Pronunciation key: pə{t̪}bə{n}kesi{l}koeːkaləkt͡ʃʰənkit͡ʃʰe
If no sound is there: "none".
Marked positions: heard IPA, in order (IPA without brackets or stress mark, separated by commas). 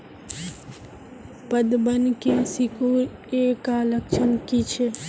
d̪, n, none